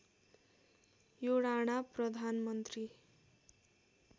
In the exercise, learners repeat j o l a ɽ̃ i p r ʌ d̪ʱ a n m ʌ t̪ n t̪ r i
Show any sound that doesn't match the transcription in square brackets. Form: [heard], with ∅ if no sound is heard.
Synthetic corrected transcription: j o [ɽ] a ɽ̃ [a] p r ʌ d̪ʱ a n m ʌ [∅] n t̪ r i